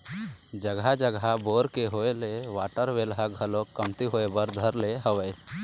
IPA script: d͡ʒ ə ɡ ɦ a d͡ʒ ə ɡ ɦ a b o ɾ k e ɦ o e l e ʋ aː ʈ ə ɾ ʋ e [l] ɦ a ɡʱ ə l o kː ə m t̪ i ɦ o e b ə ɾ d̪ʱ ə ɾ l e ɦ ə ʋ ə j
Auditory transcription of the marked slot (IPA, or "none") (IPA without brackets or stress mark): l